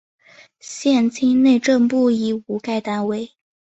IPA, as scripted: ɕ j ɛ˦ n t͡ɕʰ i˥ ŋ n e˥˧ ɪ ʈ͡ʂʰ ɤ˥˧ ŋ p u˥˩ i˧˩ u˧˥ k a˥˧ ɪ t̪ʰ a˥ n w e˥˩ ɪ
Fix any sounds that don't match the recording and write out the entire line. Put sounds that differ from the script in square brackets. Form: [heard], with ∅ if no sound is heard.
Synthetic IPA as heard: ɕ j [ɛ˥˩] n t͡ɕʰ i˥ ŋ n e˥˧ ɪ [ʈ͡ʂ] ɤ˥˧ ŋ p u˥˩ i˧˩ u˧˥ k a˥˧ ɪ [t̪] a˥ n w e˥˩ ɪ

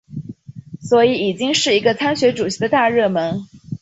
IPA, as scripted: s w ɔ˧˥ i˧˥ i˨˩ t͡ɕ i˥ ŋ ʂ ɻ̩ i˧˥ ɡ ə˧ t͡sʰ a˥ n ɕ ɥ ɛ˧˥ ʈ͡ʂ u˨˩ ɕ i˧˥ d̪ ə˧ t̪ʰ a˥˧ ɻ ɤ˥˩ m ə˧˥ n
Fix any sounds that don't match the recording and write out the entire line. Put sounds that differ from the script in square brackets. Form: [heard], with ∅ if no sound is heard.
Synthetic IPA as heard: s w ɔ˧˥ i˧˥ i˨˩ t͡ɕ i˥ ŋ ʂ ɻ̩ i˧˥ ɡ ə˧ t͡sʰ a˥ n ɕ ɥ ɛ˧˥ ʈ͡ʂ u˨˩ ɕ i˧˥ d̪ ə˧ [t̪] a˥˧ ɻ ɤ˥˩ m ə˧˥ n

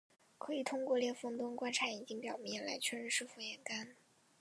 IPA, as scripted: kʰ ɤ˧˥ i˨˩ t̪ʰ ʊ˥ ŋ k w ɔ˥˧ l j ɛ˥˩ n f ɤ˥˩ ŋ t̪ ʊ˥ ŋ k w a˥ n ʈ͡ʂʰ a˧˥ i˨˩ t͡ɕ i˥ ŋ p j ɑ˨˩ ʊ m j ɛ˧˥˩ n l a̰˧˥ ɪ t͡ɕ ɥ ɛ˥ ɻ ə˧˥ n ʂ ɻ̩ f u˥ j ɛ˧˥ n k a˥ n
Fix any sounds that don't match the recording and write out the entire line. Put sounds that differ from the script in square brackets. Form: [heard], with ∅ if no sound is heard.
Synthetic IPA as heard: kʰ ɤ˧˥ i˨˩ t̪ʰ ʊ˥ ŋ k w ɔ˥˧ l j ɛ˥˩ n f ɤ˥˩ ŋ t̪ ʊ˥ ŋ k w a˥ n ʈ͡ʂʰ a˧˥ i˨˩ t͡ɕ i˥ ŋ p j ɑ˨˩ ʊ m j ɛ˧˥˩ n l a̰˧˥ ɪ [t͡ɕʰ] ɥ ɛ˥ ɻ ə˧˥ n ʂ ɻ̩ f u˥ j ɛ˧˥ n k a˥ n

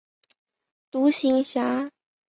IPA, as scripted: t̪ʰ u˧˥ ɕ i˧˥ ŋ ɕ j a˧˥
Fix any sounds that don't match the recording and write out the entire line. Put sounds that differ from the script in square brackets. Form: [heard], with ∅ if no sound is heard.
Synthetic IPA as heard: [t̪] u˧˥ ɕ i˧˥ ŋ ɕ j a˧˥

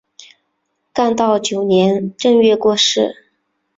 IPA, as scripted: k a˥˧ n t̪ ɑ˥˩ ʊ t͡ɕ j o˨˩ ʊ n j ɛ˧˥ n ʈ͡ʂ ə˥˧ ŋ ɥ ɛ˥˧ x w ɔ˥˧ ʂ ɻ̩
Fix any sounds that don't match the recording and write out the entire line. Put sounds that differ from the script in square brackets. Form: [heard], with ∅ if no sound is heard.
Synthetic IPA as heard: k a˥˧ n t̪ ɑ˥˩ ʊ t͡ɕ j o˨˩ ʊ n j ɛ˧˥ n ʈ͡ʂ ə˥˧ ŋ ɥ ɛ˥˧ [k] w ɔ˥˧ ʂ ɻ̩

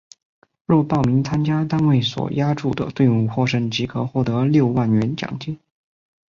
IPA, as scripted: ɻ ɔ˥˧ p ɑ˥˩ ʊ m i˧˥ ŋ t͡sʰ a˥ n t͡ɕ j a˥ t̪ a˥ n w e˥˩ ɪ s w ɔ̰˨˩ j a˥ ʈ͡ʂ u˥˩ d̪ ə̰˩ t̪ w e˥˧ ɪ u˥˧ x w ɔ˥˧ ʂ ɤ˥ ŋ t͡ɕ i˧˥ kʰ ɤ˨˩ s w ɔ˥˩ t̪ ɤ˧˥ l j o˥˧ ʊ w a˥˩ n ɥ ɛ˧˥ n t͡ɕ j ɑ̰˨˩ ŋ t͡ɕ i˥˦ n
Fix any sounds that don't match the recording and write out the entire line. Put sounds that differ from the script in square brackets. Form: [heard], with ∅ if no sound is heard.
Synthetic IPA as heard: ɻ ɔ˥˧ p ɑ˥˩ ʊ m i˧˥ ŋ t͡sʰ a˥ n t͡ɕ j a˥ t̪ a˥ n w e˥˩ ɪ s w ɔ̰˨˩ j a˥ ʈ͡ʂ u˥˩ d̪ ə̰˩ t̪ w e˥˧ ɪ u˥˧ x w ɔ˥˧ ʂ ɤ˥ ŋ t͡ɕ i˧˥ kʰ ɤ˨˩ [x] w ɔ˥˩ t̪ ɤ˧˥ l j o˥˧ ʊ w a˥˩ n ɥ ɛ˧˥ n t͡ɕ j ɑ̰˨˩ ŋ t͡ɕ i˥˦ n

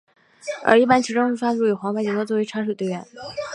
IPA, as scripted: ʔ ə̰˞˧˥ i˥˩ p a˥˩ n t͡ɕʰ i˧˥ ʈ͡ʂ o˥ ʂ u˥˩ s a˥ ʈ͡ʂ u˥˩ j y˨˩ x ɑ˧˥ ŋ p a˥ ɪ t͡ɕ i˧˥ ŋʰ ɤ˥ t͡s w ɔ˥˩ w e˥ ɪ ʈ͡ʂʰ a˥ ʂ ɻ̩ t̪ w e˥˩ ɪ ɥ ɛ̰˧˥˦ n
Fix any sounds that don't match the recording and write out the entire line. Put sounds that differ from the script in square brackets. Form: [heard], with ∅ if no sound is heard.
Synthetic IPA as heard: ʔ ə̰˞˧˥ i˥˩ p [a˥] n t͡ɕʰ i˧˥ ʈ͡ʂ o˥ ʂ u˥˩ [f] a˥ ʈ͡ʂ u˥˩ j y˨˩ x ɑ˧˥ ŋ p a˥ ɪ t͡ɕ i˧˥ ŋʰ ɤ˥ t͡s w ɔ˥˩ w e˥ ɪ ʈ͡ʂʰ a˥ ʂ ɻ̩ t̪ w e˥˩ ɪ ɥ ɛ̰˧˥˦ n

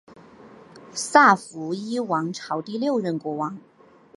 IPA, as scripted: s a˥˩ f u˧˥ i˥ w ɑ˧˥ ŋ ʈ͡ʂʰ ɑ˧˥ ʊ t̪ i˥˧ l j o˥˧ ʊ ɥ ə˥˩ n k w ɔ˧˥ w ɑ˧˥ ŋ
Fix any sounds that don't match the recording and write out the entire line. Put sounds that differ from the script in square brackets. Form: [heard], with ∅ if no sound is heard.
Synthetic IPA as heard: s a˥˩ f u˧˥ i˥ w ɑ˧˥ ŋ ʈ͡ʂʰ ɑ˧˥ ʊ t̪ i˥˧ l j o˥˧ ʊ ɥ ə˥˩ n k w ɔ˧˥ w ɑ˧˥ ŋ

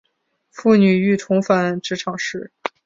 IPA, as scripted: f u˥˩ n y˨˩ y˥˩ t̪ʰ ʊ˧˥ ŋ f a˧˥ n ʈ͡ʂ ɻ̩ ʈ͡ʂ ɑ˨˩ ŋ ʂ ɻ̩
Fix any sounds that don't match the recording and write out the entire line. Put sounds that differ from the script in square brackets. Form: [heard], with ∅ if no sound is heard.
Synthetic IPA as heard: f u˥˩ n y˨˩ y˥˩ t̪ʰ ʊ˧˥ ŋ f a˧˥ n ʈ͡ʂ ɻ̩ [ʈ͡ʂʰ] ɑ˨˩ ŋ ʂ ɻ̩

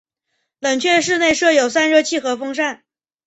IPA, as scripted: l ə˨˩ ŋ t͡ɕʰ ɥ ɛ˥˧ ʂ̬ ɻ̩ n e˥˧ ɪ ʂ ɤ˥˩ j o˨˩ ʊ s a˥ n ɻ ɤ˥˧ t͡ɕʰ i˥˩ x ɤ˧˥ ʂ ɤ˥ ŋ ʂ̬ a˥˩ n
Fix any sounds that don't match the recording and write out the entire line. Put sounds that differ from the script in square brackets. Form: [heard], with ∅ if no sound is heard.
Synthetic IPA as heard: l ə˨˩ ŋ t͡ɕʰ ɥ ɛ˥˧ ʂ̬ ɻ̩ n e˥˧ ɪ ʂ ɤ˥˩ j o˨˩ ʊ s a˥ n ɻ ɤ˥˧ t͡ɕʰ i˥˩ x ɤ˧˥ [f] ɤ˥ ŋ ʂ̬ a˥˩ n

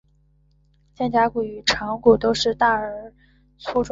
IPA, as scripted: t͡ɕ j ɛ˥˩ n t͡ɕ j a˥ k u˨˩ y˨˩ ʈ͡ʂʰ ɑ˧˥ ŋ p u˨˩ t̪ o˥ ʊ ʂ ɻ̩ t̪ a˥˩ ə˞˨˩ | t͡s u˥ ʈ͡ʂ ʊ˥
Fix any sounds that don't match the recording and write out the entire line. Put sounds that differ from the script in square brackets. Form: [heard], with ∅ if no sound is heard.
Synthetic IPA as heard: t͡ɕ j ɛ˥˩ n t͡ɕ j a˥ k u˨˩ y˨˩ ʈ͡ʂʰ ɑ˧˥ ŋ [k] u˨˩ t̪ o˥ ʊ ʂ ɻ̩ t̪ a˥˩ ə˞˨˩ | [t͡sʰ] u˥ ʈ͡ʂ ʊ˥

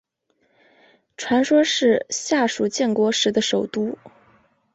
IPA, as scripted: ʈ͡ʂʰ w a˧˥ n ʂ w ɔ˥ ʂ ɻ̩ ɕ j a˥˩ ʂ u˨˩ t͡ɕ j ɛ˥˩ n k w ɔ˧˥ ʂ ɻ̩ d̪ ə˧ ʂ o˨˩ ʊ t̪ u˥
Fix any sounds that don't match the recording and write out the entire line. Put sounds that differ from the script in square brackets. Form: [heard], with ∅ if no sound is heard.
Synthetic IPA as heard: ʈ͡ʂʰ w a˧˥ n ʂ w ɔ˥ ʂ ɻ̩ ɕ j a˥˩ ʂ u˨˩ t͡ɕ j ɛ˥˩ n k w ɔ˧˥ ʂ ɻ̩ d̪ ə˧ ʂ o˨˩ ʊ t̪ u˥

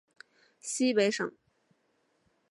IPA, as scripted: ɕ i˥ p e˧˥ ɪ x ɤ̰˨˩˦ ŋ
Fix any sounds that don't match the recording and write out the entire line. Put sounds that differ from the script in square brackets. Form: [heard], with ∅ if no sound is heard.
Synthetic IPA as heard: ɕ i˥ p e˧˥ ɪ [ʂ] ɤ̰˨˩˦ ŋ

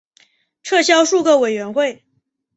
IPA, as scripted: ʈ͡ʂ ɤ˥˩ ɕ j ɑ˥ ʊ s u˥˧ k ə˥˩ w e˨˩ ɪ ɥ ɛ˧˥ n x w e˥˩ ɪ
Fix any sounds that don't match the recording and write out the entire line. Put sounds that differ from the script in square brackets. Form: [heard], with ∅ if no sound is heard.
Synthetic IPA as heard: [ʈ͡ʂʰ] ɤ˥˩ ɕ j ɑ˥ ʊ [ʂ] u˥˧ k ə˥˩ w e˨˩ ɪ ɥ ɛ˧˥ n x w e˥˩ ɪ

